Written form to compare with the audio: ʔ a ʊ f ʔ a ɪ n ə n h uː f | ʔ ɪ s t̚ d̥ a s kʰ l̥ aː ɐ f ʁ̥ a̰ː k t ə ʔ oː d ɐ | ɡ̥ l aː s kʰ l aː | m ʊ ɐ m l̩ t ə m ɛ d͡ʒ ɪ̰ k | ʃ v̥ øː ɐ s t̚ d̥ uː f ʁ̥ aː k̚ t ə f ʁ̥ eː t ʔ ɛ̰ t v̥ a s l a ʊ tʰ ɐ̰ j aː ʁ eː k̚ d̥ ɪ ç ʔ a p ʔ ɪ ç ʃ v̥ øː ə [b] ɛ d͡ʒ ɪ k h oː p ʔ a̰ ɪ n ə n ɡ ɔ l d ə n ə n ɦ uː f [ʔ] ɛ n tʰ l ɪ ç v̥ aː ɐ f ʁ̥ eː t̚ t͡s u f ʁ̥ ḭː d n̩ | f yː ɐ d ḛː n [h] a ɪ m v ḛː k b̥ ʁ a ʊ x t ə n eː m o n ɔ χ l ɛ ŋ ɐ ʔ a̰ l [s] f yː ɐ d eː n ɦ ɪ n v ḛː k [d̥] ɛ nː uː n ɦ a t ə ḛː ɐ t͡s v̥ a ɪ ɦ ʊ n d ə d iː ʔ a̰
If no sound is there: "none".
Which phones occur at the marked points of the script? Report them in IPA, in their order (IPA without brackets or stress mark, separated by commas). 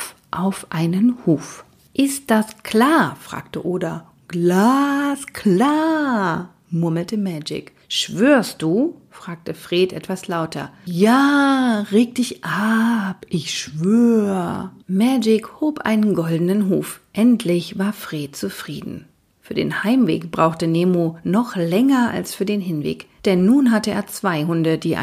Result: m, ʔ, h, s, d̥